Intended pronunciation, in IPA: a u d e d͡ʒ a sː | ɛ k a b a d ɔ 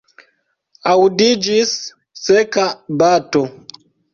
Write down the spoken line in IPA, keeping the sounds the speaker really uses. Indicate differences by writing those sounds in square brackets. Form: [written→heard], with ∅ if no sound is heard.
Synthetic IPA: a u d [e→i] d͡ʒ [a→i] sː | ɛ k a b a [d→t] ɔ